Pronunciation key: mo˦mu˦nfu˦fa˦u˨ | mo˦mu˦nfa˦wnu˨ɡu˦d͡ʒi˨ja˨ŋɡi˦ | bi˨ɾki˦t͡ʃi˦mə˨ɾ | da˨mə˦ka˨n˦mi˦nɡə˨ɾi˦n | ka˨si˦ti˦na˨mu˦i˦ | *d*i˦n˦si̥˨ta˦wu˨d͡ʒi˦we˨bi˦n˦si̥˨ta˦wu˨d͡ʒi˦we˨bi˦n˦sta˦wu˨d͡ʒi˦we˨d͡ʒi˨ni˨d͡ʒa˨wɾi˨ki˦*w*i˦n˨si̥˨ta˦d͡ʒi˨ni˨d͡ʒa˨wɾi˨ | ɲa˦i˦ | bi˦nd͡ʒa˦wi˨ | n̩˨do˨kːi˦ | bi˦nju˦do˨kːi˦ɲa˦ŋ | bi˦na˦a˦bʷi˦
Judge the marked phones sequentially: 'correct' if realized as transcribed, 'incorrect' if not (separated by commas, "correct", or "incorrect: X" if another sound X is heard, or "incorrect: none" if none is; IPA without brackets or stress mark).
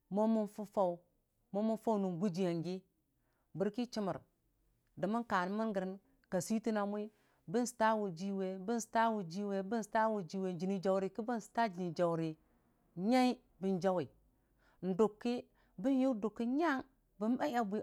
incorrect: b, incorrect: b